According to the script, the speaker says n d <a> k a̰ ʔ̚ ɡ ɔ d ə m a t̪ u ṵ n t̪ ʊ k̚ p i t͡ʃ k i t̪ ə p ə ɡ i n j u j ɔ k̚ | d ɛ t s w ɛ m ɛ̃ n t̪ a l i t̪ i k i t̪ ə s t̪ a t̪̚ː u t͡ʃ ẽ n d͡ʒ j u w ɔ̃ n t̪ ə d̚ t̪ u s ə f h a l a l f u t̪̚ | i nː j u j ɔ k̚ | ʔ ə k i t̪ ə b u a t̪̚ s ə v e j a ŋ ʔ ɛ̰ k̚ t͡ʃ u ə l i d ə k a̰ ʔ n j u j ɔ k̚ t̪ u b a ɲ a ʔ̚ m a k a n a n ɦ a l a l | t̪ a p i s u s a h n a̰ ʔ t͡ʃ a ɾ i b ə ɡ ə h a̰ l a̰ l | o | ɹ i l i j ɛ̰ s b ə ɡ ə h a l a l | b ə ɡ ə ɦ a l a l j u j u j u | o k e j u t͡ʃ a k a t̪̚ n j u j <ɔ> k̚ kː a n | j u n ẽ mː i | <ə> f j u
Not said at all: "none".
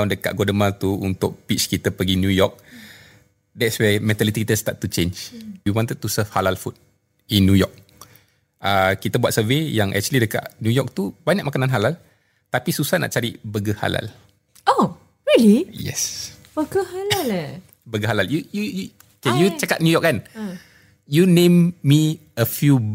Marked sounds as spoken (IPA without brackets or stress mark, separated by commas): ə, ɔ, ə